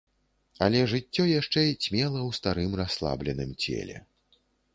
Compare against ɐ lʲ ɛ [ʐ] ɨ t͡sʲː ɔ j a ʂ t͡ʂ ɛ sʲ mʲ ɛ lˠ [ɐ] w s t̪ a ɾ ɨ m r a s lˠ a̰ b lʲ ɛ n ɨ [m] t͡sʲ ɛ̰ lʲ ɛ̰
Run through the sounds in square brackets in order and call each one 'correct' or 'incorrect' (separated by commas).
correct, correct, correct